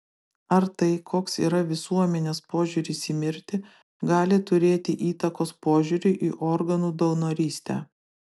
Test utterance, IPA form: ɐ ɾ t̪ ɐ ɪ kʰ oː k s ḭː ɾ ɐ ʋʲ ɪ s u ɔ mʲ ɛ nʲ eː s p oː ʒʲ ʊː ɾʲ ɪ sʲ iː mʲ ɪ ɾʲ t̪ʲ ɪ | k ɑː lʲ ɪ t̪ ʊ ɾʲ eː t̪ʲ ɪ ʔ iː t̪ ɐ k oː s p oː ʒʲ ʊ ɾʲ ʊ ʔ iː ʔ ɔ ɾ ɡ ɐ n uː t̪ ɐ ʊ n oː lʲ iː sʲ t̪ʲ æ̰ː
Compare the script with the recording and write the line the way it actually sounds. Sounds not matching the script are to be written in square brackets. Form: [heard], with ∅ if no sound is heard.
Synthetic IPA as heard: ɐ ɾ t̪ ɐ ɪ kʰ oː k s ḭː ɾ ɐ ʋʲ ɪ s u ɔ mʲ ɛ nʲ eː s p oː ʒʲ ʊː ɾʲ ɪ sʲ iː mʲ ɪ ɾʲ t̪ʲ ɪ | [ɡ] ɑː lʲ ɪ t̪ ʊ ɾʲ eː t̪ʲ ɪ ʔ iː t̪ ɐ k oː s p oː ʒʲ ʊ ɾʲ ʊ ʔ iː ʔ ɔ ɾ ɡ ɐ n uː [d̪] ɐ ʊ n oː [ɾʲ] iː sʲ t̪ʲ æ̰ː